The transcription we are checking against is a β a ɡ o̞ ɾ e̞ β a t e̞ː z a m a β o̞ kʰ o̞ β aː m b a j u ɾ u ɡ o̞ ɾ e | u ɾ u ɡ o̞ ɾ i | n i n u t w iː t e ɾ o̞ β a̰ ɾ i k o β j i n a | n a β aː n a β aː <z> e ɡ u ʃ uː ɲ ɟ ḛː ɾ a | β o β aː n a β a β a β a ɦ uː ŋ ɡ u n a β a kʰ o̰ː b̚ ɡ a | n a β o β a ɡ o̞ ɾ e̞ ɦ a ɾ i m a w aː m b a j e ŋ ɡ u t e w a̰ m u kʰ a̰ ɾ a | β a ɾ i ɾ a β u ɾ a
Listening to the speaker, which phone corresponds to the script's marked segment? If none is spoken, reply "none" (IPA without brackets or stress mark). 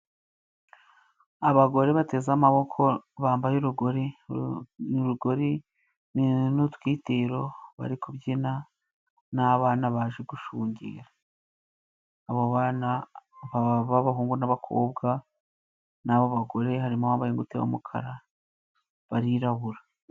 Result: ʒ